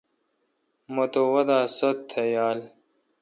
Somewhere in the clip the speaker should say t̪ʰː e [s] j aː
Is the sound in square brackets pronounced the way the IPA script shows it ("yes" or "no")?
no